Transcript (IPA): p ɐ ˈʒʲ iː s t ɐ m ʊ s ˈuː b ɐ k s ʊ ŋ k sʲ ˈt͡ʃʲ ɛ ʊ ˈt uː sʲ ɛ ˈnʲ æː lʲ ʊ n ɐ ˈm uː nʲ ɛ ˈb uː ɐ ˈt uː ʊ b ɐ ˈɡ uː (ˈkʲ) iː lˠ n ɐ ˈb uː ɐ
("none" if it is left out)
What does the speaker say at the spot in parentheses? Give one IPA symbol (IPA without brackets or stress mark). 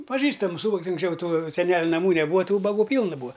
pʲ